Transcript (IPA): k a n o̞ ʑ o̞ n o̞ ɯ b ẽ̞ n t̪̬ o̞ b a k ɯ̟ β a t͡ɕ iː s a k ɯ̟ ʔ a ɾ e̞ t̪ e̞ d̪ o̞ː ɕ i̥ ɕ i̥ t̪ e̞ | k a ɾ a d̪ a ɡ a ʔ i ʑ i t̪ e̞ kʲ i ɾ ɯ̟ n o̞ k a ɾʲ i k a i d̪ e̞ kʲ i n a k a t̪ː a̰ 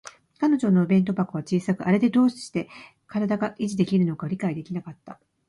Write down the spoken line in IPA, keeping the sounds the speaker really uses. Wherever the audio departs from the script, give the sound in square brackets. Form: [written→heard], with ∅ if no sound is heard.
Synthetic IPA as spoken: k a n o̞ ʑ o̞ n o̞ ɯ b ẽ̞ n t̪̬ o̞ b a k ɯ̟ β a t͡ɕ iː s a k ɯ̟ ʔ a ɾ e̞ [t̪→d̪] e̞ d̪ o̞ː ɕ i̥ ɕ i̥ t̪ e̞ | k a ɾ a d̪ a ɡ a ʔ i ʑ i [t̪→d̪] e̞ kʲ i ɾ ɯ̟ n o̞ k a ɾʲ i k a i d̪ e̞ kʲ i n a k a t̪ː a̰